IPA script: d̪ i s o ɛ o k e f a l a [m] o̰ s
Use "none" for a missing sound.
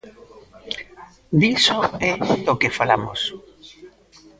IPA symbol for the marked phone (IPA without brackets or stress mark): m